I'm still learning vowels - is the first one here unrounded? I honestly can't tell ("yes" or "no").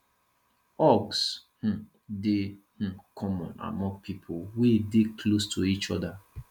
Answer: no